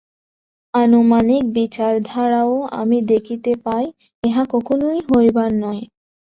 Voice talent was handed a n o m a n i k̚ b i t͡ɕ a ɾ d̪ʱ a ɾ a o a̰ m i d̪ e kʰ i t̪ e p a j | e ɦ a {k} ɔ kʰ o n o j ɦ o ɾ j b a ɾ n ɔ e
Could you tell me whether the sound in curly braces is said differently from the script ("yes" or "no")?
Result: no